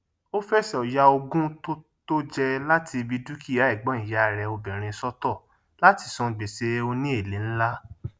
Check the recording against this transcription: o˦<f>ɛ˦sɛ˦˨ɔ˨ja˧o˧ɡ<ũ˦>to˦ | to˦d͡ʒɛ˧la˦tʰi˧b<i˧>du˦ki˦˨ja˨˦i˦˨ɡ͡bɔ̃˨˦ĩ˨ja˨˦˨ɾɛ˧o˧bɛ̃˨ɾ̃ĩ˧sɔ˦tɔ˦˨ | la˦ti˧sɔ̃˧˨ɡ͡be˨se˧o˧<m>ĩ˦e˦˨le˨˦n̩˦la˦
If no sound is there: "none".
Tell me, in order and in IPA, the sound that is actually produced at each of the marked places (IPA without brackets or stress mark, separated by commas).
f, ũ˦, i˧, n